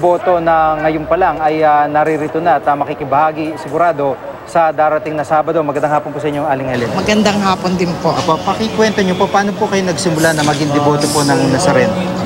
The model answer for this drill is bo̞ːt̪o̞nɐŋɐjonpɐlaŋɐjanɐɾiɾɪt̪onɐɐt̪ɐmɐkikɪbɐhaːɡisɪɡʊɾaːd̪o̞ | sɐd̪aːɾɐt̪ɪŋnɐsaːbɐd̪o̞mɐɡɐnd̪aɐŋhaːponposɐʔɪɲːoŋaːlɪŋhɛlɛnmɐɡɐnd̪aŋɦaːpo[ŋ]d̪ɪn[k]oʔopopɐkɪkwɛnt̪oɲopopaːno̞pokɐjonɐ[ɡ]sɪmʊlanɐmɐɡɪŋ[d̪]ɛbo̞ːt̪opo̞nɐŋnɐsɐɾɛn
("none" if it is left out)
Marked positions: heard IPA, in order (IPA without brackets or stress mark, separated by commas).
n, p, ɡ, d̪